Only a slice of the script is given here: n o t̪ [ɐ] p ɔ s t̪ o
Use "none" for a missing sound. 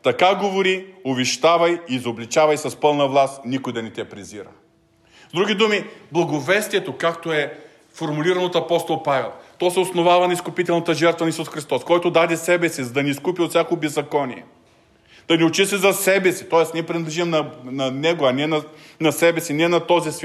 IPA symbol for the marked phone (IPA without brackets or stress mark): ɐ